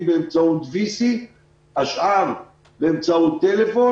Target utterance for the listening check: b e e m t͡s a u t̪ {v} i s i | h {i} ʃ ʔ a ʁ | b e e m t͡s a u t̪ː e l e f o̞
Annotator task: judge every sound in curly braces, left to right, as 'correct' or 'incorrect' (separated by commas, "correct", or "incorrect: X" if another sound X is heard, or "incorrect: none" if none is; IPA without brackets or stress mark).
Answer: correct, incorrect: a